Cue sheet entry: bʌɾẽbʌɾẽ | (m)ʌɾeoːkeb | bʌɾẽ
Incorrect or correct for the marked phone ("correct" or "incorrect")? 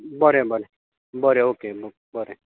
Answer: incorrect